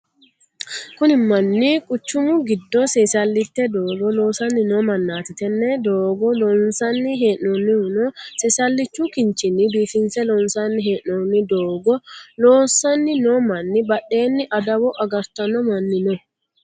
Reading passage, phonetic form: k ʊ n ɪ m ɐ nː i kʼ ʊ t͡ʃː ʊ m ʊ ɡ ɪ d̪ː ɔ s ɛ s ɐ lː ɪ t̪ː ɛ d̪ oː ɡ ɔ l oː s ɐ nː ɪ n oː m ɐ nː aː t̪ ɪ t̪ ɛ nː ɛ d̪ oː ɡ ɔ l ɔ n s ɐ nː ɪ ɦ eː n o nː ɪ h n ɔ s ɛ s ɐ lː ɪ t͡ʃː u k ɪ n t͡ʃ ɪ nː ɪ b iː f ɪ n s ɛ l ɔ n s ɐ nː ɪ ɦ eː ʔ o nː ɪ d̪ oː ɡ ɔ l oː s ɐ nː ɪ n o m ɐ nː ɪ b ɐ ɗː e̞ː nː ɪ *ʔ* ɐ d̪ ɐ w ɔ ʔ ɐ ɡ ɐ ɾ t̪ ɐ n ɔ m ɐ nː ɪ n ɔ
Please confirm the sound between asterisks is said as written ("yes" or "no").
yes